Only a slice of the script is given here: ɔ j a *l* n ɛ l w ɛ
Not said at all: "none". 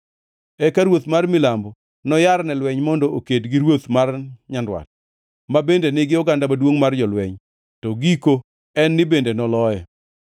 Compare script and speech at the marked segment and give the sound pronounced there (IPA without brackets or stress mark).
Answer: ɾ